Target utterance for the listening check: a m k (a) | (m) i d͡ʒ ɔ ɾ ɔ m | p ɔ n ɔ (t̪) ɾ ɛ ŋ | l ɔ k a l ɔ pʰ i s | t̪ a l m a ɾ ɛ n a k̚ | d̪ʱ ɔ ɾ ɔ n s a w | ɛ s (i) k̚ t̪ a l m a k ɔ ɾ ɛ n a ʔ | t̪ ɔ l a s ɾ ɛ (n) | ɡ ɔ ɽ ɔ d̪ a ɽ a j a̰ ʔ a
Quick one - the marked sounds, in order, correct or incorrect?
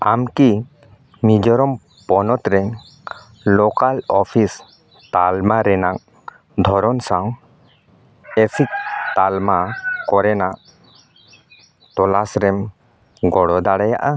incorrect, correct, correct, correct, incorrect

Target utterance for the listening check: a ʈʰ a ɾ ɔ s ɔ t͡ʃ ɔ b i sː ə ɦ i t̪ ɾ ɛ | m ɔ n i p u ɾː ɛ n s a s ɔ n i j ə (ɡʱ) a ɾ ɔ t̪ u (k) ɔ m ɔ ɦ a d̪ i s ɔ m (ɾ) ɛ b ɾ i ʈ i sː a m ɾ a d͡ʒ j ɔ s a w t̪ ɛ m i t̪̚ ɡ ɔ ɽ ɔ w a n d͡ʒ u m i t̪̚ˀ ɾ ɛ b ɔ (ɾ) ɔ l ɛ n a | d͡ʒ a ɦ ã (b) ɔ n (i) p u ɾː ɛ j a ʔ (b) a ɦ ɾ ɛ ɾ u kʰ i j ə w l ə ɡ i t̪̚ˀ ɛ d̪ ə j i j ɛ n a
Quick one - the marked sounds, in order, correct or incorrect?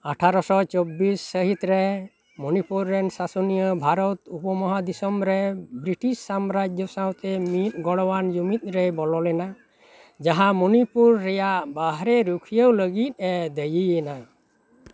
incorrect, incorrect, correct, incorrect, incorrect, correct, correct

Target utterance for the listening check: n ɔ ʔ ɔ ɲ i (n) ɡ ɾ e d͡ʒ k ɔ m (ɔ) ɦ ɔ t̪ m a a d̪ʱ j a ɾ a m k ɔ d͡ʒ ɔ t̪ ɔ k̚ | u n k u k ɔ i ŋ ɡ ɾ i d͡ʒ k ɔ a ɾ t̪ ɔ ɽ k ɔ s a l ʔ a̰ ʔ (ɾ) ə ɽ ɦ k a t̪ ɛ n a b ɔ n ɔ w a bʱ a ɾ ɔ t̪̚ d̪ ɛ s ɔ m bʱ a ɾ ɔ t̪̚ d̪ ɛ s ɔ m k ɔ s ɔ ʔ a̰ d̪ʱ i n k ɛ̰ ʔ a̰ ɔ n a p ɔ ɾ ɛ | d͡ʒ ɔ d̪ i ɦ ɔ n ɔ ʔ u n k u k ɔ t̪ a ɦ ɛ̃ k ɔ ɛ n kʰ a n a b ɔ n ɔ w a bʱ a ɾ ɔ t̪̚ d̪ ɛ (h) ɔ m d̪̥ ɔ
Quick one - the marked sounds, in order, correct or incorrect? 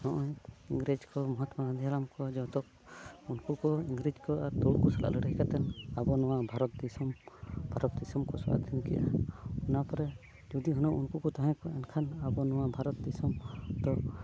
incorrect, correct, incorrect, incorrect

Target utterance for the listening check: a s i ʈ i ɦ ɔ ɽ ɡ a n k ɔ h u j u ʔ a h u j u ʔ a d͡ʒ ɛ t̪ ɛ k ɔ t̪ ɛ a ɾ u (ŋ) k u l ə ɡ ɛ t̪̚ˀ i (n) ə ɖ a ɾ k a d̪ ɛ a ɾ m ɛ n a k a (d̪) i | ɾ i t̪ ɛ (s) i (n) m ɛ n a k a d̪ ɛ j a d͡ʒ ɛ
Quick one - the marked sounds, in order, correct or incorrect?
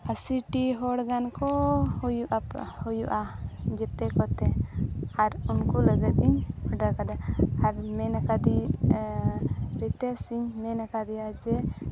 incorrect, incorrect, correct, correct, incorrect

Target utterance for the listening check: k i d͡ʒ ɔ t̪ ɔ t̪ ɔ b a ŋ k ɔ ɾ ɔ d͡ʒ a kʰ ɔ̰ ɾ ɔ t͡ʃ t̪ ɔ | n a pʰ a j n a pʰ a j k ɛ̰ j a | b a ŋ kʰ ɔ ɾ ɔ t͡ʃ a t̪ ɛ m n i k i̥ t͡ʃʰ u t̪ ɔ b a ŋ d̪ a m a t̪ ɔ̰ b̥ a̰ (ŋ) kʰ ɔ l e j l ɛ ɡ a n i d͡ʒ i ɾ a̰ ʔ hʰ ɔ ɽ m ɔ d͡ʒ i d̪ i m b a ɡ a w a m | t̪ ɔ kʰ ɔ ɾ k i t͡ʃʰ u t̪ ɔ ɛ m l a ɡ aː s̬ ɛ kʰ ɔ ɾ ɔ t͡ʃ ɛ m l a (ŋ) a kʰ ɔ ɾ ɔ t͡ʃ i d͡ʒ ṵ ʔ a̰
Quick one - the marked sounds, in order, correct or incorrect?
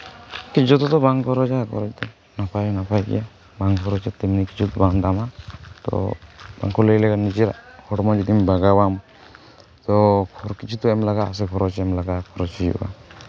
correct, incorrect

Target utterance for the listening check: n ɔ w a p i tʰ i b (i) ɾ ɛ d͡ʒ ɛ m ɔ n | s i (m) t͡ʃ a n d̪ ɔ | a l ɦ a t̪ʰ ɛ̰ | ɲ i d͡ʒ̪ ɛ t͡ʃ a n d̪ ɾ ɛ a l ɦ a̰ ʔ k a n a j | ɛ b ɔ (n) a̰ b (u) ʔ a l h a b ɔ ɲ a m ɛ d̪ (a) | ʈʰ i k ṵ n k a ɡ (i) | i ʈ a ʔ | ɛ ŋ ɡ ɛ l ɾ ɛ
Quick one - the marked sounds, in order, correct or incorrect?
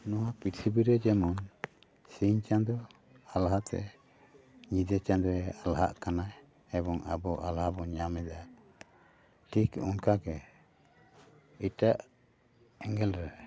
correct, incorrect, incorrect, incorrect, correct, incorrect

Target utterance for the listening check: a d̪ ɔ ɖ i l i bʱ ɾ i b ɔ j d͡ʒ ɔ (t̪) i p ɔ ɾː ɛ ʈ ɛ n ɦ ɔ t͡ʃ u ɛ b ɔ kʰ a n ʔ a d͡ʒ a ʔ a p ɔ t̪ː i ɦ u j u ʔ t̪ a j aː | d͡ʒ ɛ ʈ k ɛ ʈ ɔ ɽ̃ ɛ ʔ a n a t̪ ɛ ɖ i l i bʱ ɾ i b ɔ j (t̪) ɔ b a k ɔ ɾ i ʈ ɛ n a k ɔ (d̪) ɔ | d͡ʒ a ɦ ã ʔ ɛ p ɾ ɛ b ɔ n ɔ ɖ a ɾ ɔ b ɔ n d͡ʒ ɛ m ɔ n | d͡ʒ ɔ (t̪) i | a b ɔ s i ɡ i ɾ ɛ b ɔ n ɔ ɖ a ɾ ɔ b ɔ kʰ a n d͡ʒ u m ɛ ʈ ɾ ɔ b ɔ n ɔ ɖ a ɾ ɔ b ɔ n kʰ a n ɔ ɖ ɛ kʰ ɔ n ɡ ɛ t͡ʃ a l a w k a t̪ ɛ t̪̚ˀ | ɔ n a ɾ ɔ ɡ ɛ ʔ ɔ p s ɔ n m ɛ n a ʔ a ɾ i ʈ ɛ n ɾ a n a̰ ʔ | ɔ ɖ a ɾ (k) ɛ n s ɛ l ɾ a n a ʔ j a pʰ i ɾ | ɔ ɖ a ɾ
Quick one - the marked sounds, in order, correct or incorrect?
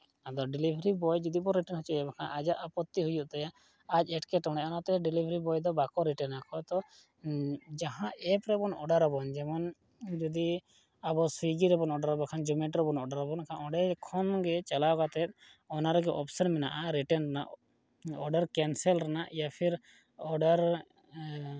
incorrect, incorrect, incorrect, incorrect, correct

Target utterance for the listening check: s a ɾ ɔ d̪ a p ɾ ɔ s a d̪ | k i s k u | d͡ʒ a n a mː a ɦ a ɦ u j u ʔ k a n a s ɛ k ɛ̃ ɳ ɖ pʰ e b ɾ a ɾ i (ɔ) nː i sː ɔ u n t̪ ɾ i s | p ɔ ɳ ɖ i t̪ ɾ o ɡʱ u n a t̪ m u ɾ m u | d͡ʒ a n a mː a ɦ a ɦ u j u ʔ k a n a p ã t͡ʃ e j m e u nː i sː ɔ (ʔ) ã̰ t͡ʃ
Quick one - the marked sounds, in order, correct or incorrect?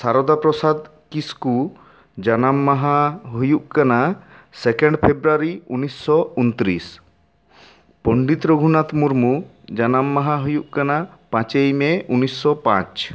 incorrect, incorrect

